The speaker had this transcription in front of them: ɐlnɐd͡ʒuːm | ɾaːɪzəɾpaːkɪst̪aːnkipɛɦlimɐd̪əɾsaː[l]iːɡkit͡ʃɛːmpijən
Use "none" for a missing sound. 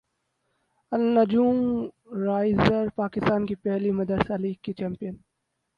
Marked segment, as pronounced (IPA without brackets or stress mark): l